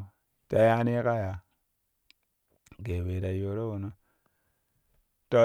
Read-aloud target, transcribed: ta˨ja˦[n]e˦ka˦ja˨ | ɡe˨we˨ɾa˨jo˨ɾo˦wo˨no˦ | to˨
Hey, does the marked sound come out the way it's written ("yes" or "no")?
yes